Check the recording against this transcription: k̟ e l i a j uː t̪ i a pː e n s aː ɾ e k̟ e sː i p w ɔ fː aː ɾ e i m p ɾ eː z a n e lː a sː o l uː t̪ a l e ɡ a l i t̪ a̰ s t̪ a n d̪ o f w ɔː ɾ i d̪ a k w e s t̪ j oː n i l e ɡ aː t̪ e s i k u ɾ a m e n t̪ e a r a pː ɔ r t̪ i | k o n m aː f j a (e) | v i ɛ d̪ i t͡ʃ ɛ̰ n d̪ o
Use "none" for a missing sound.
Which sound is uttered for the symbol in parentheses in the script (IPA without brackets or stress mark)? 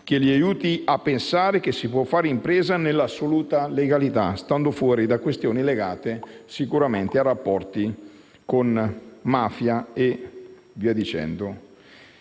e